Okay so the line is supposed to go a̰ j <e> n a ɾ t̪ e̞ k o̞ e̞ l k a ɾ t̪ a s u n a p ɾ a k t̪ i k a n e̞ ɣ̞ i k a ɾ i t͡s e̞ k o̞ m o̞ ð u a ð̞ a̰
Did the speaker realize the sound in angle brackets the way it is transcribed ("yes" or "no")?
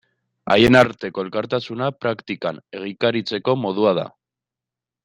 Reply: yes